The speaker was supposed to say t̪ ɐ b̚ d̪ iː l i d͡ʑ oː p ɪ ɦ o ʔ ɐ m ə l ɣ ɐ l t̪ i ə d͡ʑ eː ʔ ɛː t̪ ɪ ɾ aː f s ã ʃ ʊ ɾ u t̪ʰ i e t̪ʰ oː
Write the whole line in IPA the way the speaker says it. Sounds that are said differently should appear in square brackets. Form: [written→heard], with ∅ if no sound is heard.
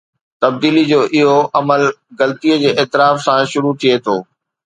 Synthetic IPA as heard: t̪ ɐ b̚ d̪ iː l i d͡ʑ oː [p→ʔ] ɪ ɦ o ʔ ɐ m ə l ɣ ɐ l t̪ i ə d͡ʑ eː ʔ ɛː t̪ ɪ ɾ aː f s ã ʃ ʊ ɾ u t̪ʰ i e t̪ʰ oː